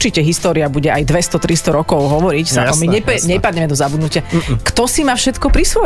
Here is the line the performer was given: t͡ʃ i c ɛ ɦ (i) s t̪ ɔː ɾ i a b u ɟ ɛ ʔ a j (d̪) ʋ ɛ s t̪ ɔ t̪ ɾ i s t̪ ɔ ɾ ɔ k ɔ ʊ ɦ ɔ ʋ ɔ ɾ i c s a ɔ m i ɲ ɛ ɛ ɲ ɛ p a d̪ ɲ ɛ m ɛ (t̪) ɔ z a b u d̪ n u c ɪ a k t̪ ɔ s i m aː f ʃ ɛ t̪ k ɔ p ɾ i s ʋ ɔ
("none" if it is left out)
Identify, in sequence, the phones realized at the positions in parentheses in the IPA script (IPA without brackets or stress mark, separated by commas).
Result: i, d̪, d̪